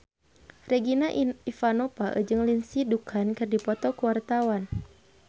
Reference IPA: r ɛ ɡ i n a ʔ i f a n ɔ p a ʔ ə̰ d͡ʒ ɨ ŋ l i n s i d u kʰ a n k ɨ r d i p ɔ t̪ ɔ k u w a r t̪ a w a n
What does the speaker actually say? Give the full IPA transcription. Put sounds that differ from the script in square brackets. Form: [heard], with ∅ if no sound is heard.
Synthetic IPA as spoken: r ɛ ɡ i n a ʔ i f a n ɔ p a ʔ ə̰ d͡ʒ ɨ ŋ l i n s i d u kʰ a n k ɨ r d i p ɔ t̪ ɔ k u w a r t̪ a w a n